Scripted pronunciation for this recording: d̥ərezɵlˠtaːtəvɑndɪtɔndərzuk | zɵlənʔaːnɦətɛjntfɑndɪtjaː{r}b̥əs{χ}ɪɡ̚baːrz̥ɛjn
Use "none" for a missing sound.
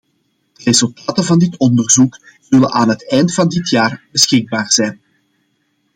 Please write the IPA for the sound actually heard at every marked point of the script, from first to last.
r, x

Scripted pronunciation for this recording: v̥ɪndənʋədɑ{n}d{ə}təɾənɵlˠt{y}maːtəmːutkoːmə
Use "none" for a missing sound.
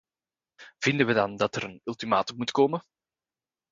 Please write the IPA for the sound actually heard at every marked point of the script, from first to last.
n, ɑ, i

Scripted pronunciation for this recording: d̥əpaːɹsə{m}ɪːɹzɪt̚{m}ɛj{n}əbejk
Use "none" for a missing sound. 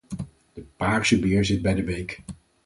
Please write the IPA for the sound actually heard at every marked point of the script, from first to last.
b, b, d

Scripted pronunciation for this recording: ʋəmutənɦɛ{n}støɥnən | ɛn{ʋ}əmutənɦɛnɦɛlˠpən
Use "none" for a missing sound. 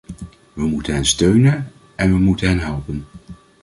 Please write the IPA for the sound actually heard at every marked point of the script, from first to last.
n, ʋ

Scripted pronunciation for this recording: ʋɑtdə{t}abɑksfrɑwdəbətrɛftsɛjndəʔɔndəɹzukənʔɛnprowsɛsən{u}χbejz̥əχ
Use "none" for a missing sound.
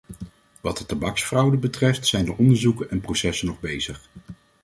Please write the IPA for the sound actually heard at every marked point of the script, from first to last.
t, ɔ

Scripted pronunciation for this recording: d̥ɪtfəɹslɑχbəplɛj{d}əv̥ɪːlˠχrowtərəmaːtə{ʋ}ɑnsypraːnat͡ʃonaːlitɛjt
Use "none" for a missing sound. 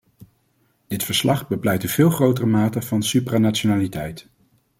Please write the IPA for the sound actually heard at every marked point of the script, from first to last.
t, v

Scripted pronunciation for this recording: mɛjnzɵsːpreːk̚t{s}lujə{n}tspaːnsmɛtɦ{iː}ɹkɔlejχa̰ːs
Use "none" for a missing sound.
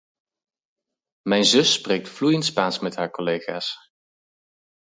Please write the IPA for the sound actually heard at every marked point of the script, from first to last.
f, n, aː

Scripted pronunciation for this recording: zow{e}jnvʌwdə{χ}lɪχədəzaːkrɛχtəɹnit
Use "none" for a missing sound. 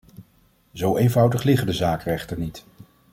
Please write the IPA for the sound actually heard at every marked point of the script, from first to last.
e, χ

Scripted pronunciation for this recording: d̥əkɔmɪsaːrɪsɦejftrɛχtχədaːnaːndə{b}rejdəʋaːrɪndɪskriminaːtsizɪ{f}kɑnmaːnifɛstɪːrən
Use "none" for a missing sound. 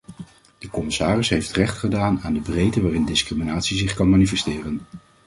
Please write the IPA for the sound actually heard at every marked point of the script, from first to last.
b, χ

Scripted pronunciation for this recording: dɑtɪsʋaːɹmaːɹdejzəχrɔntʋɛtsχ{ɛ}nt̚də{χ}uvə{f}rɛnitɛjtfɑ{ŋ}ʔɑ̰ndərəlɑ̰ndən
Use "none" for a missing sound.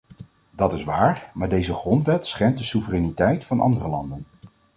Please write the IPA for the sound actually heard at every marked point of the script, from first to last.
ɛ, s, none, n

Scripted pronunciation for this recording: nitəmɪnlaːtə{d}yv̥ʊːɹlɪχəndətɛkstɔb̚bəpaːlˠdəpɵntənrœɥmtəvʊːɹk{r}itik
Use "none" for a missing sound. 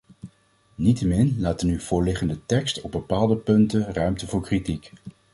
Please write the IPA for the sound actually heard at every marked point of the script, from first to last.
n, r

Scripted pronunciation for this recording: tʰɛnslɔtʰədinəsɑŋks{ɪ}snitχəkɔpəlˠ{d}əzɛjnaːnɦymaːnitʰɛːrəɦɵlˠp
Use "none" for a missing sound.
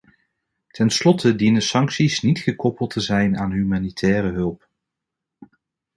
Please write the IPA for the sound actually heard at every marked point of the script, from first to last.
i, t

